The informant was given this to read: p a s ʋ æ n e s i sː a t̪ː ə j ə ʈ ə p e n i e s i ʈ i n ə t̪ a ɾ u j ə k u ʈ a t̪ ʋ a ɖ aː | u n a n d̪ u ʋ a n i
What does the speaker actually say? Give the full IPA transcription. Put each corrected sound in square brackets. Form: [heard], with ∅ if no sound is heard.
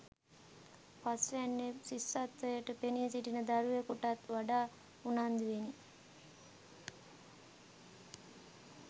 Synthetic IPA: p a s ʋ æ [nː] e s i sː a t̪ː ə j ə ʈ ə p e n i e s i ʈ i n ə [d̪] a ɾ u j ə k u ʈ a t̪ ʋ a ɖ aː | u n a n d̪ u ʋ [e] n i